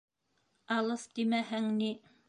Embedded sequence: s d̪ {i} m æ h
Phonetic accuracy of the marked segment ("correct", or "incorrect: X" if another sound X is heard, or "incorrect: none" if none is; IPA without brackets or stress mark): correct